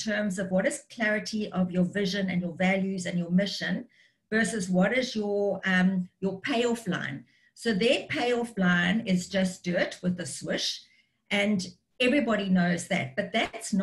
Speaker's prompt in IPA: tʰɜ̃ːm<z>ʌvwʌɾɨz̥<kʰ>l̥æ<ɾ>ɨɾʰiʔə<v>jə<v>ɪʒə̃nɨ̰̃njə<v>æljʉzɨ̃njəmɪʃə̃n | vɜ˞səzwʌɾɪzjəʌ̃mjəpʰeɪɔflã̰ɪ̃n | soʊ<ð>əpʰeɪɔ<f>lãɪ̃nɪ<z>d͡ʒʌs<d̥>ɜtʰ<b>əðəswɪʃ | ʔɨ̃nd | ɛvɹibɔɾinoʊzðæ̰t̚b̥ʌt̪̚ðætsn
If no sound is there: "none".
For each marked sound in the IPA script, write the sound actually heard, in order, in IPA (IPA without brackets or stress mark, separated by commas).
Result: z, kʰ, ɹ, v, v, v, ð, f, z, d̥, w